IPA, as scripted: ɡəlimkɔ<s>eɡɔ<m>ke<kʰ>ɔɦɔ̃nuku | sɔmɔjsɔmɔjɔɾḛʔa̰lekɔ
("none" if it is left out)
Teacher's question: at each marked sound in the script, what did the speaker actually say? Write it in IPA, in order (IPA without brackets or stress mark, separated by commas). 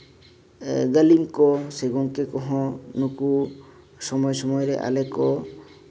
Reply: s, ŋ, k